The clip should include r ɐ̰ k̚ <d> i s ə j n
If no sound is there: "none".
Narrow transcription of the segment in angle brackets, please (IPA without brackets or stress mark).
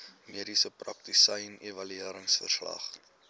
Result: t